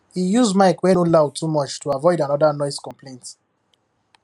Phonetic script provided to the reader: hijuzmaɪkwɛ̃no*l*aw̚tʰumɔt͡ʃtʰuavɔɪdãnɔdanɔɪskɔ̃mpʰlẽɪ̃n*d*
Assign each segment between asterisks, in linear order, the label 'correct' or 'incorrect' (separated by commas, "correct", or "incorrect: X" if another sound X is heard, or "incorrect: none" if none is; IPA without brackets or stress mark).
correct, incorrect: t